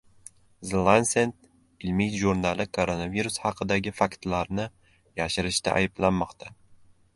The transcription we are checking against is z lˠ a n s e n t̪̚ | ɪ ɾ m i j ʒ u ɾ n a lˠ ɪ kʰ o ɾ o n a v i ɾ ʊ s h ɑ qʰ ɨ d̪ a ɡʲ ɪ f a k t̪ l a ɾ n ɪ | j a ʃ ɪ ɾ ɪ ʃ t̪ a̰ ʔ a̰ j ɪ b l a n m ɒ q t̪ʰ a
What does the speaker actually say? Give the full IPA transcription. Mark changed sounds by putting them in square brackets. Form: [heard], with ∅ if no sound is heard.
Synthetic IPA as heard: z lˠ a n s e n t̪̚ | ɪ [l] m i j ʒ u ɾ n a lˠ ɪ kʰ o ɾ o n a v i ɾ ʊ s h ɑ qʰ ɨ d̪ a ɡʲ ɪ f a k t̪ l a ɾ n ɪ | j a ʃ ɪ ɾ ɪ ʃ t̪ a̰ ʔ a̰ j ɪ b l a n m ɒ q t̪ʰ a